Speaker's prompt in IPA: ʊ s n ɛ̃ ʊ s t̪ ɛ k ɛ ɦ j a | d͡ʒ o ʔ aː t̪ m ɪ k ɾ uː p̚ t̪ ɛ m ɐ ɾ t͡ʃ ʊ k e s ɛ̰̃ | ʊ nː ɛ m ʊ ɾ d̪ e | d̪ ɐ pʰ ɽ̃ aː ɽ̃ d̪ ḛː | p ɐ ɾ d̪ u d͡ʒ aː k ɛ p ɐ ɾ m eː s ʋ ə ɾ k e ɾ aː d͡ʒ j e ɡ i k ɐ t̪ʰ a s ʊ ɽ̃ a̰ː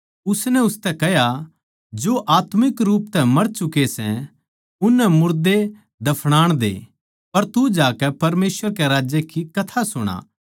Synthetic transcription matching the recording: ʊ s n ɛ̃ ʊ s t̪ ɛ k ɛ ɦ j a | d͡ʒ o ʔ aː t̪ m ɪ k ɾ uː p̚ t̪ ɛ m ɐ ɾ t͡ʃ ʊ k e s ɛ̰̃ | ʊ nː ɛ m ʊ ɾ d̪ e | d̪ ɐ pʰ ɽ̃ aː ɽ̃ d̪ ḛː | p ɐ ɾ t̪ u d͡ʒ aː k ɛ p ɐ ɾ m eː s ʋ ə ɾ k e ɾ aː d͡ʒ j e k i k ɐ t̪ʰ a s ʊ ɽ̃ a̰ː

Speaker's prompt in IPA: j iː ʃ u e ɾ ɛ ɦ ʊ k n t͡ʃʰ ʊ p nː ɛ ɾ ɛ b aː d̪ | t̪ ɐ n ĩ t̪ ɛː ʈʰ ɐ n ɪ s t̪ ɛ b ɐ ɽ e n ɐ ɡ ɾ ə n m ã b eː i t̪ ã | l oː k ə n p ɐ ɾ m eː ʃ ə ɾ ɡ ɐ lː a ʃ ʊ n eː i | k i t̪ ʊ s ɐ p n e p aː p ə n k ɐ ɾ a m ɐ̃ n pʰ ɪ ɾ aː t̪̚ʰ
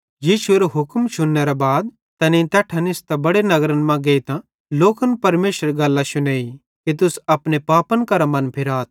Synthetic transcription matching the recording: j iː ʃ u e ɾ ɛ ɦ ʊ k m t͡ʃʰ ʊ nː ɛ ɾ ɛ b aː d̪ | t̪ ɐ n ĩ t̪ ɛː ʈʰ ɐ n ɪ s t̪ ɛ b ɐ ɽ e n ɐ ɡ ɾ ə n m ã ɡ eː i t̪ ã | l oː k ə n p ɐ ɾ m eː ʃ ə ɾ ɡ ɐ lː a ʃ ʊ n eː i | k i t̪ ʊ s ɐ p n e p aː p ə n k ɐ ɾ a m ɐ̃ n pʰ ɪ ɾ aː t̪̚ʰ

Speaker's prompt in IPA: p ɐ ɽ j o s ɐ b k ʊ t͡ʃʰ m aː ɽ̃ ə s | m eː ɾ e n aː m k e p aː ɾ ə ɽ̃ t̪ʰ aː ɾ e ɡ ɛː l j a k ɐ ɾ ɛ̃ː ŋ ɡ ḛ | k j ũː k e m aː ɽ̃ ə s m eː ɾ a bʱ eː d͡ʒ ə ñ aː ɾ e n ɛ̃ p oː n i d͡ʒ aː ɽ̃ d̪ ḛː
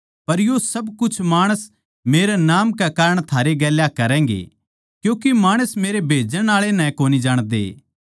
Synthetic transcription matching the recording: p ɐ ɾ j o s ɐ b k ʊ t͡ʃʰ m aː ɽ̃ ə s | m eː ɾ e n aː m k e k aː ɾ ə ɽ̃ t̪ʰ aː ɾ e ɡ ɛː l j a k ɐ ɾ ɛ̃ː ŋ ɡ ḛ | k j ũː k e m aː ɽ̃ ə s m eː ɾ e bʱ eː d͡ʒ ə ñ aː ɭ e n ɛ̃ k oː n i d͡ʒ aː ɽ̃ d̪ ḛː

